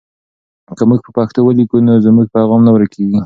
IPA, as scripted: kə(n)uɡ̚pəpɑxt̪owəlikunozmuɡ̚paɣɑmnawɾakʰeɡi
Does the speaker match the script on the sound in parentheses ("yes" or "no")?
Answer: no